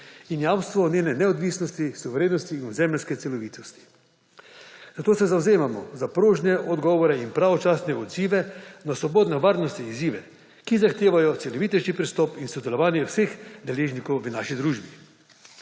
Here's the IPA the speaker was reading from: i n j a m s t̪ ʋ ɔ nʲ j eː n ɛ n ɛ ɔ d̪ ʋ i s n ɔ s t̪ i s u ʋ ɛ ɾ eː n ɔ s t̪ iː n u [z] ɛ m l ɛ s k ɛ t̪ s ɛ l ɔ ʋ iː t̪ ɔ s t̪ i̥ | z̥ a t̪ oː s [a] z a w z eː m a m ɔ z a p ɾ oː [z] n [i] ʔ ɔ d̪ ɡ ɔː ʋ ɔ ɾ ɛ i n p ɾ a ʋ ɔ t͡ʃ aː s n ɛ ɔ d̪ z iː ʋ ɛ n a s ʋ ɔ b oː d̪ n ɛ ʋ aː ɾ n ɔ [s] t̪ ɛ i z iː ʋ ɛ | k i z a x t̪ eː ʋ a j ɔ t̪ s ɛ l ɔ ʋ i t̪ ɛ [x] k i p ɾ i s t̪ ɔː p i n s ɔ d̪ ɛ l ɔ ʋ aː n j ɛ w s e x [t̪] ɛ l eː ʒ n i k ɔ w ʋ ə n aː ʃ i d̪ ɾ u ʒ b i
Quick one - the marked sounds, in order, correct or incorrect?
correct, incorrect, incorrect, incorrect, correct, incorrect, incorrect

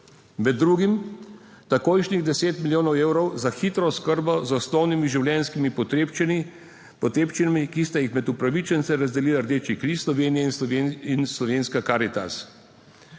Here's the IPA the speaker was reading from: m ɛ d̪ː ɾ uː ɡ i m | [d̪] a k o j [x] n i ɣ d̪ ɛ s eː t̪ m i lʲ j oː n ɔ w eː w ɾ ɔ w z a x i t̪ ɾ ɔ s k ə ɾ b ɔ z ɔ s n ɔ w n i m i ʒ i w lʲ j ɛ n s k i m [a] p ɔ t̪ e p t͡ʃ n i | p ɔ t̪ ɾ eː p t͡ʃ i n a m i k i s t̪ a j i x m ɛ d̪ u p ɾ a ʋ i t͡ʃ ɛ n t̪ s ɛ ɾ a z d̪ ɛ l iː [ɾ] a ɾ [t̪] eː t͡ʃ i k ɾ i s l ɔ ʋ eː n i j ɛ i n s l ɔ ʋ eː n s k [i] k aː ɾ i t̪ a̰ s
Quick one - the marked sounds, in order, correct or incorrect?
incorrect, incorrect, incorrect, incorrect, incorrect, incorrect

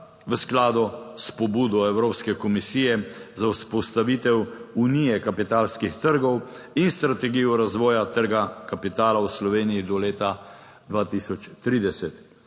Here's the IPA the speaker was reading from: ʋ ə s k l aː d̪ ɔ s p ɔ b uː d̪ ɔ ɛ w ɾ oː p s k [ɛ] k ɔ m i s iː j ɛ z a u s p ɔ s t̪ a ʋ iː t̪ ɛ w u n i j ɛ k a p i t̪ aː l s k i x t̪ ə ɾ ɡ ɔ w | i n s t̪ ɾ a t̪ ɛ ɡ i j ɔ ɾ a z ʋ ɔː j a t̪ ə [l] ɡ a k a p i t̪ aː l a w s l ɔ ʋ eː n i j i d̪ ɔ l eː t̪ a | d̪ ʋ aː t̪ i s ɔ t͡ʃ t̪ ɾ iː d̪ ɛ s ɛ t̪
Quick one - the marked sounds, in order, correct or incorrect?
correct, incorrect

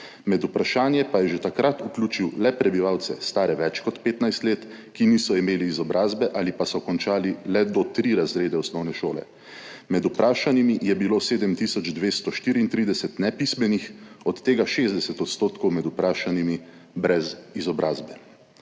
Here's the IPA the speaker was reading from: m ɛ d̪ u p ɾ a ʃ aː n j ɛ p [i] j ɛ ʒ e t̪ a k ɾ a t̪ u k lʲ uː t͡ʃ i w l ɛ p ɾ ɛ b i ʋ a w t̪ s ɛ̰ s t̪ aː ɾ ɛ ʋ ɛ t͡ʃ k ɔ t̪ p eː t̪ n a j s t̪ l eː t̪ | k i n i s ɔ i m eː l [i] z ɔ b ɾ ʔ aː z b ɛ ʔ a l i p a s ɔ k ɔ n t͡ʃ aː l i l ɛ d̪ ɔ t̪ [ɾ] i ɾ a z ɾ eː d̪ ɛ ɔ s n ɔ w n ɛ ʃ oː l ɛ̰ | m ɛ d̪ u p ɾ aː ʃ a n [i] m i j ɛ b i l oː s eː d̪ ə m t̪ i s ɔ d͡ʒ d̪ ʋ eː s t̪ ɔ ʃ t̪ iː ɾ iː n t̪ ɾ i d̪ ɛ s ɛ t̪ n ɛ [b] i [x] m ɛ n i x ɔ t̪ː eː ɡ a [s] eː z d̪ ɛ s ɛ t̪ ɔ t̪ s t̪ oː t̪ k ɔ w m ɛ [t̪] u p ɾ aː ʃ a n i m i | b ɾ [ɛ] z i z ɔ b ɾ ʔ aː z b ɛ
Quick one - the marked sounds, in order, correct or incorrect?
incorrect, incorrect, correct, correct, incorrect, incorrect, incorrect, incorrect, correct

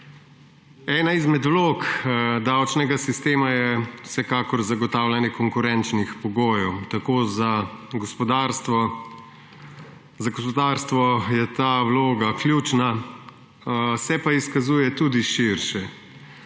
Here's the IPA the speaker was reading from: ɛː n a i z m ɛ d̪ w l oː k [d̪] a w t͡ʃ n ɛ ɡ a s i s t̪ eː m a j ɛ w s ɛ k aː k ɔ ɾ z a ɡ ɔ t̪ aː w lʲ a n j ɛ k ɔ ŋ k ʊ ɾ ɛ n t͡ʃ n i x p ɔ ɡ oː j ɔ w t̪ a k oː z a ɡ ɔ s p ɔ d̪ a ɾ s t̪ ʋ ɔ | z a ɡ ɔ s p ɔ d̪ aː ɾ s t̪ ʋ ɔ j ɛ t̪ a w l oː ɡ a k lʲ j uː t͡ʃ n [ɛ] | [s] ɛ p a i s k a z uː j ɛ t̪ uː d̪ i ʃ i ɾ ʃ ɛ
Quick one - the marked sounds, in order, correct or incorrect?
correct, incorrect, correct

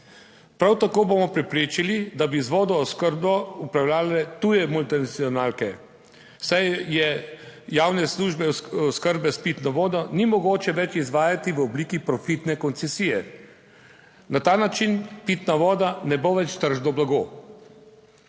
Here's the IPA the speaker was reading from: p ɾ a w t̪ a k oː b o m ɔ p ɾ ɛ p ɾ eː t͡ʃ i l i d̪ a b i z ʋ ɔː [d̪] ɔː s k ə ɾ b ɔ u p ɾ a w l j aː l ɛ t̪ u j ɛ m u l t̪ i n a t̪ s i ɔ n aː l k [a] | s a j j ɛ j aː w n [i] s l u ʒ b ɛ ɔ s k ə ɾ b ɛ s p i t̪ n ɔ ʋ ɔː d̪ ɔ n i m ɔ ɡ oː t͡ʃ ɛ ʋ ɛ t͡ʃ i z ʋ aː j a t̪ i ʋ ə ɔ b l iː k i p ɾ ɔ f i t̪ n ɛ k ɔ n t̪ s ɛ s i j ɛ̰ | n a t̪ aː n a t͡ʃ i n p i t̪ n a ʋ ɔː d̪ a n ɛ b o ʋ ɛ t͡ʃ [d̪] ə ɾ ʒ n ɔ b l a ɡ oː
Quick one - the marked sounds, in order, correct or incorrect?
correct, incorrect, incorrect, incorrect

